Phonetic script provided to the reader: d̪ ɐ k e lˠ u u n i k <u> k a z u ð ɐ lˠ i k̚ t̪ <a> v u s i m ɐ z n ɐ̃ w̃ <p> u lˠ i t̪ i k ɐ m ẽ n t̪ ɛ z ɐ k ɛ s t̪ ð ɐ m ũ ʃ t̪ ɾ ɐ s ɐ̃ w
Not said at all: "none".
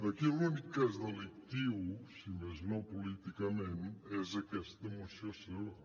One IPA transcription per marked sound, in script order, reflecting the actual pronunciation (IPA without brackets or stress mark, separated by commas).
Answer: u, i, p